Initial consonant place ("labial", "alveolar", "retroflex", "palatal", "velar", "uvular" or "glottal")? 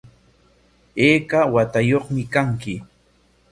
velar